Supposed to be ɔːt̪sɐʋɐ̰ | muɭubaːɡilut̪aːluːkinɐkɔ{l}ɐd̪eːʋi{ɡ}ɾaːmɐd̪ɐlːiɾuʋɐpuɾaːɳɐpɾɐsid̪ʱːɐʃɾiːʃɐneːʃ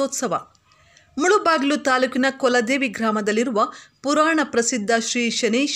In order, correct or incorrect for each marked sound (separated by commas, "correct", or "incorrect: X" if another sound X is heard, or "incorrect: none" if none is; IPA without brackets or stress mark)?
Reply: correct, correct